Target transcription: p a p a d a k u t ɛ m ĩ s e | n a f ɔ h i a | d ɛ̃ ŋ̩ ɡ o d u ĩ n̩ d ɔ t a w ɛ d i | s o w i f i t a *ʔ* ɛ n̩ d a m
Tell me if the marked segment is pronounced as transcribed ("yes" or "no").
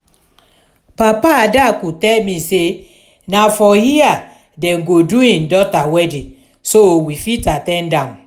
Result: no